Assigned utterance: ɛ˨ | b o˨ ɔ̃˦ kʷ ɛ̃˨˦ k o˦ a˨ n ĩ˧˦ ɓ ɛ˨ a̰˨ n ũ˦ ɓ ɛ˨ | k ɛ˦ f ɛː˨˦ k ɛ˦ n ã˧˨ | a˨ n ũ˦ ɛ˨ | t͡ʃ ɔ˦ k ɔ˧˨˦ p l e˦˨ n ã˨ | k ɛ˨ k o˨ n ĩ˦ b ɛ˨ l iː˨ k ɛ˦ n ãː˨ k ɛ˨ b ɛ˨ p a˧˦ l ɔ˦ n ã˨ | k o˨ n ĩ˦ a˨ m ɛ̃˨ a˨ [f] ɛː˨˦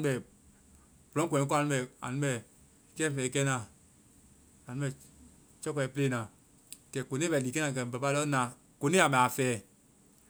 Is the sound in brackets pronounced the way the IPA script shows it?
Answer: yes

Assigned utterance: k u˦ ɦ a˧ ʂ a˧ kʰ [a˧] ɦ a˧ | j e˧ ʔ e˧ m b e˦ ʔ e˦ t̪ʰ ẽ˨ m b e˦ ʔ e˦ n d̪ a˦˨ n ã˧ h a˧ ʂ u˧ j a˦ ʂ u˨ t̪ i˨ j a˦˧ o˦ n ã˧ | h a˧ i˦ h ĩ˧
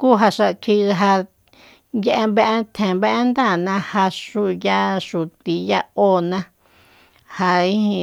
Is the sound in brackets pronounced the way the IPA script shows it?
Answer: no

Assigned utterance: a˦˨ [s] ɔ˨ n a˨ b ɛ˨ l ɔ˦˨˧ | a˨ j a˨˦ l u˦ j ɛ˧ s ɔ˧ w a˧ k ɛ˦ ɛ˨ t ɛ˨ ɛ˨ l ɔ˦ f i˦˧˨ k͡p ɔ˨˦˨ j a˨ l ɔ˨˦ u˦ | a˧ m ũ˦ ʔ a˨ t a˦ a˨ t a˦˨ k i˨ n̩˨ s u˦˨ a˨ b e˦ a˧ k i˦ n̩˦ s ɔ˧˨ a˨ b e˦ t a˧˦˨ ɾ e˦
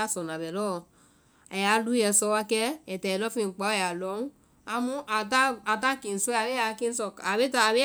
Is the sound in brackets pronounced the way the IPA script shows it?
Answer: yes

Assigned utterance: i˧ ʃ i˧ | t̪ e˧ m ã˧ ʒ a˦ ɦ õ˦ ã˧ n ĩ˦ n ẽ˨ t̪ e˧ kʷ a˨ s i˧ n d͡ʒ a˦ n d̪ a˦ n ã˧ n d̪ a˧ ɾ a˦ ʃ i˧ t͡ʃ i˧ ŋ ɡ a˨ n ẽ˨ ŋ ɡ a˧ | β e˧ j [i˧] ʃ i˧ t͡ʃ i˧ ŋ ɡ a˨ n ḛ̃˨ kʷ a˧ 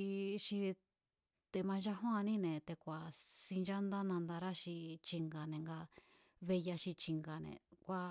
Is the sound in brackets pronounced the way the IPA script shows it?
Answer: no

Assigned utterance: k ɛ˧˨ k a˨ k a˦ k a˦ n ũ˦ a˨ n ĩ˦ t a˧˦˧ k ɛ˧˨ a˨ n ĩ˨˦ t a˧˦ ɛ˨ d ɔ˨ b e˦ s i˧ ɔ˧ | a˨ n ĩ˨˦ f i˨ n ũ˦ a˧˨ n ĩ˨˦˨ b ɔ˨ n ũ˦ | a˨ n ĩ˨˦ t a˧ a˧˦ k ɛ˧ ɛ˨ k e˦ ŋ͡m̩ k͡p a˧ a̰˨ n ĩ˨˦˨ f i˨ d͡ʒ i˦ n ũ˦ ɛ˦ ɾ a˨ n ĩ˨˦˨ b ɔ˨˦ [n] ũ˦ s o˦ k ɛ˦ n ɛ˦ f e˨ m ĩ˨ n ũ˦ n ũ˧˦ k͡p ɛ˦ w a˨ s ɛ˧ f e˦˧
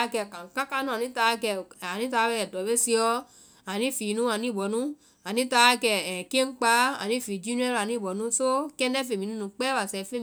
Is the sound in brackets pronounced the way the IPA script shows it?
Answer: yes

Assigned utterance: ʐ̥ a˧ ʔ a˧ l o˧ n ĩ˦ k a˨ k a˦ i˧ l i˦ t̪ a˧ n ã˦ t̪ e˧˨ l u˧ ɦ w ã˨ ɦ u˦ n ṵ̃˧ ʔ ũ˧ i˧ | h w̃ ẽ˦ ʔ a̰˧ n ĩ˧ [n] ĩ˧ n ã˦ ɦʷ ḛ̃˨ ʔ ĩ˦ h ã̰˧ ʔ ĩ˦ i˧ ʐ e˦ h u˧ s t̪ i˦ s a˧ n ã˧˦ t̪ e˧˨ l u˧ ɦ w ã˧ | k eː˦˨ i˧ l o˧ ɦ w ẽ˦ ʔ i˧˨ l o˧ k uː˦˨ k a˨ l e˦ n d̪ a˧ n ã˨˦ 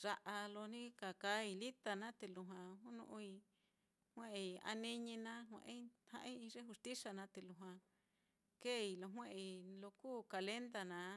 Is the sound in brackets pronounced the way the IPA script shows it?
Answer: no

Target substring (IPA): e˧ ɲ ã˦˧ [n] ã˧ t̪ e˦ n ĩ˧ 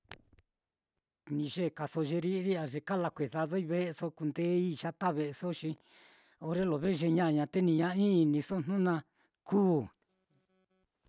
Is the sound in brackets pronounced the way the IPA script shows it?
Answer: no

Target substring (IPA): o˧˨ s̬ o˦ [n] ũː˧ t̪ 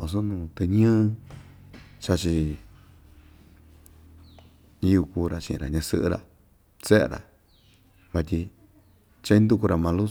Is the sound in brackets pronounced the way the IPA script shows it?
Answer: yes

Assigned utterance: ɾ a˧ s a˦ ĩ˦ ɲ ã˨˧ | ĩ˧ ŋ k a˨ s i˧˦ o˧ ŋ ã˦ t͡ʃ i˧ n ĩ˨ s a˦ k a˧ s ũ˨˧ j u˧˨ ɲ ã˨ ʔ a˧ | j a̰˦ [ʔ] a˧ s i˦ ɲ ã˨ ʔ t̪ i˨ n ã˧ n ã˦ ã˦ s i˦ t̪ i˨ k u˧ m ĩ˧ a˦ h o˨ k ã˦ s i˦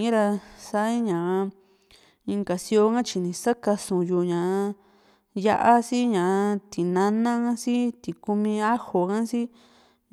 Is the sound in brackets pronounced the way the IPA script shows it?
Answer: yes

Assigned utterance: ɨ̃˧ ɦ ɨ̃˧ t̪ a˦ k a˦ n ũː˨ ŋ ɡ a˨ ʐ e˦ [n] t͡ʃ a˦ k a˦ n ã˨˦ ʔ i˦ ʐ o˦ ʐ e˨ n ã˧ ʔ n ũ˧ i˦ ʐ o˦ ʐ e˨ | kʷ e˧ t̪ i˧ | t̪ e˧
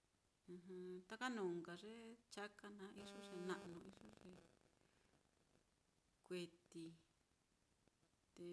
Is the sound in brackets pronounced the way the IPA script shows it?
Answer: no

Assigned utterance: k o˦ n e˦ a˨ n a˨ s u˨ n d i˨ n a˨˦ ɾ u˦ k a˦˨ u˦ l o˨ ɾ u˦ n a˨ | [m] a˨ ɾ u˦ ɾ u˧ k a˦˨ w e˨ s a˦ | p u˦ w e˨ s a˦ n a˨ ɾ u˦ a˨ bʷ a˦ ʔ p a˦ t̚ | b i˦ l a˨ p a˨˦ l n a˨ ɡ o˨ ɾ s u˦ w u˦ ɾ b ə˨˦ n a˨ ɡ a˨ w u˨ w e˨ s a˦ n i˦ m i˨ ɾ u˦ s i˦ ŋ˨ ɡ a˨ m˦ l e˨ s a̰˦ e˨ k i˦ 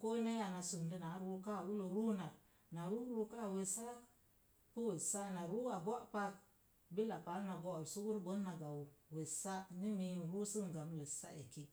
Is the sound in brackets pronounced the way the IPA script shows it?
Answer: no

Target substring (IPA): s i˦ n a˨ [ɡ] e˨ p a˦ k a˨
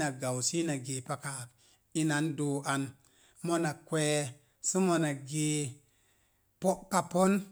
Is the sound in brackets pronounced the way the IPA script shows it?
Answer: yes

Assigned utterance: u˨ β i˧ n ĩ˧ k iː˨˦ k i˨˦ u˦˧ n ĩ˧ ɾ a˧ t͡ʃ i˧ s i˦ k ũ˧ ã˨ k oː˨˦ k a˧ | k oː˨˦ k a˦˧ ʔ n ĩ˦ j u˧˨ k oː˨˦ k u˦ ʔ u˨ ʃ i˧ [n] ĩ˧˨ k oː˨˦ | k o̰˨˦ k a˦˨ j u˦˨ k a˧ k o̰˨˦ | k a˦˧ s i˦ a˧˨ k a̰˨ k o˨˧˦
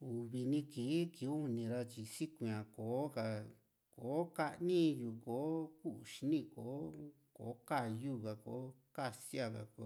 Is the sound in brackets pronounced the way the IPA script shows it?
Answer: yes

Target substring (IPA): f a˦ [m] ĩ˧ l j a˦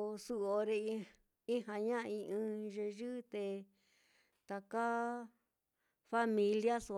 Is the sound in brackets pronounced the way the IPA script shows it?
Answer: yes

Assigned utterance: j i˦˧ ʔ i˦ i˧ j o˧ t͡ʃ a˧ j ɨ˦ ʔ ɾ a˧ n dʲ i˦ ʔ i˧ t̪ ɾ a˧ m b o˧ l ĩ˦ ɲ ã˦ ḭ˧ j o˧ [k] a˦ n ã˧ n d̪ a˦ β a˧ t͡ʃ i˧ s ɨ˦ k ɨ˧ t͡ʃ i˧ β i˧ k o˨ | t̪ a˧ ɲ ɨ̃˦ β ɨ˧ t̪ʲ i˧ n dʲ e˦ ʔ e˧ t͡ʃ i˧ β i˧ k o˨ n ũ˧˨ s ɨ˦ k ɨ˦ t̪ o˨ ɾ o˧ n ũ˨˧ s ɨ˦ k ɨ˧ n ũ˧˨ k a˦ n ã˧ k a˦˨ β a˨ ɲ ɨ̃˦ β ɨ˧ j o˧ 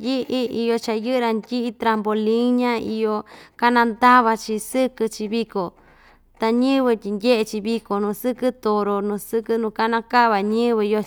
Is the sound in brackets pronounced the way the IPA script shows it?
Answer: yes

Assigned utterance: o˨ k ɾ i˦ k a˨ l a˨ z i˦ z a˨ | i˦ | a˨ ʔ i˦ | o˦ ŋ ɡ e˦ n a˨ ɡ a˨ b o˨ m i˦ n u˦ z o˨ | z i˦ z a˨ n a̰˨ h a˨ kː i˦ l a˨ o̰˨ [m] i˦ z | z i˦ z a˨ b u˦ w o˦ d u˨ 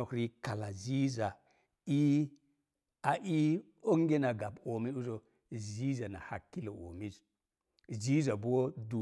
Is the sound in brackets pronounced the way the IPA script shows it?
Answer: yes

